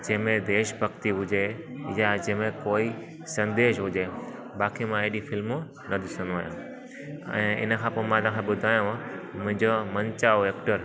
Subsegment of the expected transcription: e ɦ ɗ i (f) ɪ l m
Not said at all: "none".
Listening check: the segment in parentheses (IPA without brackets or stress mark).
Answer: f